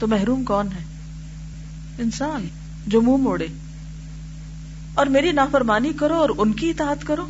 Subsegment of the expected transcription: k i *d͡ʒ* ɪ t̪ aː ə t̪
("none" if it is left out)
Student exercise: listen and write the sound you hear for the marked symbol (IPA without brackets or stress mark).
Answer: none